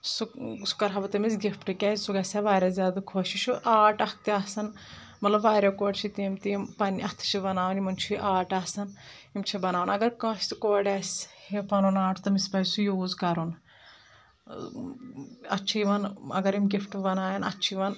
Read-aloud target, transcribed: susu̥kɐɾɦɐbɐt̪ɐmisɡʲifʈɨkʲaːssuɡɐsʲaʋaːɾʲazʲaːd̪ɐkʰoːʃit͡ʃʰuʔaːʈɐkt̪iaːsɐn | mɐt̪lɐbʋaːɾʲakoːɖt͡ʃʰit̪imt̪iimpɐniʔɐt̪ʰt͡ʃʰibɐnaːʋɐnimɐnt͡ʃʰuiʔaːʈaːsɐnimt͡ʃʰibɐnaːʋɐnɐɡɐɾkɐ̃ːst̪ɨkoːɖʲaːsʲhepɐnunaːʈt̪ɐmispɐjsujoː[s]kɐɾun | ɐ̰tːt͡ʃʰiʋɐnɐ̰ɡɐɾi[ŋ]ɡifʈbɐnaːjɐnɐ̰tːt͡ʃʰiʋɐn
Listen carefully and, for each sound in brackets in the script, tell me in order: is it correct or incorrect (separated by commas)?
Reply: incorrect, incorrect